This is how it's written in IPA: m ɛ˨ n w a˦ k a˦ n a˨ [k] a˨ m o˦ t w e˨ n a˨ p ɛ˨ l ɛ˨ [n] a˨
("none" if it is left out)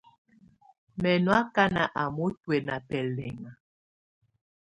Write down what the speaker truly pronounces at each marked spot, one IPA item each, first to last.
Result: ʔ, ŋ

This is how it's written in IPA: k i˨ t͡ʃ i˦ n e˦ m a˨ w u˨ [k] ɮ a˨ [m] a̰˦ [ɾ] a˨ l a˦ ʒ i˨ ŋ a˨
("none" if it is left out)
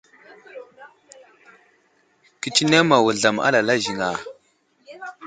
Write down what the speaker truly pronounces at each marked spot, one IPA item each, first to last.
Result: none, m, l

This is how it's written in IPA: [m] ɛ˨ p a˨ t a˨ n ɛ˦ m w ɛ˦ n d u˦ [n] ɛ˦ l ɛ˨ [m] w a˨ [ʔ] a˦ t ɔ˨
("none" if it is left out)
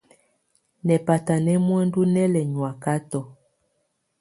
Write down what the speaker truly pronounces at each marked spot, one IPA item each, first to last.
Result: n, n, ɲ, k

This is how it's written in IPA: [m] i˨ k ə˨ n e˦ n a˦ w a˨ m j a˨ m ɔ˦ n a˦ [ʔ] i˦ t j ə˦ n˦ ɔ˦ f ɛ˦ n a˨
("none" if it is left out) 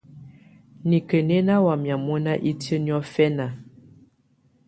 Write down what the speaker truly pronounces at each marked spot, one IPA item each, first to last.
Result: n, ʔ

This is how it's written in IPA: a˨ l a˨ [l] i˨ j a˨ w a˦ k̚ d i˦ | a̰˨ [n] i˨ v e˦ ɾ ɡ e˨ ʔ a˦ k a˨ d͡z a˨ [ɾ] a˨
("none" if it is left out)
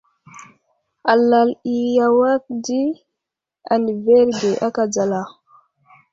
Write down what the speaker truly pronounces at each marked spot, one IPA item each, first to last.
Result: l, n, l

